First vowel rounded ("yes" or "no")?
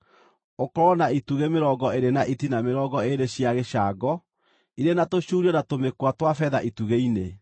yes